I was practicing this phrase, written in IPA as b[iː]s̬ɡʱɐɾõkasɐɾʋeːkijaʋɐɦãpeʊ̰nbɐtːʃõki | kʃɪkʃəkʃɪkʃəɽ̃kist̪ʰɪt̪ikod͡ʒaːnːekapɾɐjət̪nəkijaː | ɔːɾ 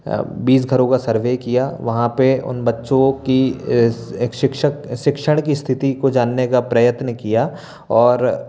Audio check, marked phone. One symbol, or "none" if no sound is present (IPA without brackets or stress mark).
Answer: iː